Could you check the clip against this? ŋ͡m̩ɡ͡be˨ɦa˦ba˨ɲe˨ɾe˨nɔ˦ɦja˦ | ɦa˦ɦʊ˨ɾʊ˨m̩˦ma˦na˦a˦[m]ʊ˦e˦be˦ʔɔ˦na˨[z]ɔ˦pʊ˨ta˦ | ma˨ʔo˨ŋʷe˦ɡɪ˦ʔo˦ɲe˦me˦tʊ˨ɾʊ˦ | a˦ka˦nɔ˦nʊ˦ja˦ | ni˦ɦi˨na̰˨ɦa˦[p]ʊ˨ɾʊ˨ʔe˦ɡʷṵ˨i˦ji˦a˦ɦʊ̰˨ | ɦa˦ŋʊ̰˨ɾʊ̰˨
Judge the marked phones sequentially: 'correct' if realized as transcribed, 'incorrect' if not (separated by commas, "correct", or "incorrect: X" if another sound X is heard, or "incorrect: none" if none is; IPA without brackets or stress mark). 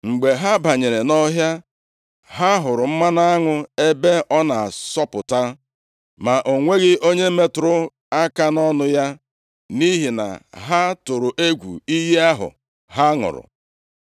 incorrect: ŋ, incorrect: s, incorrect: t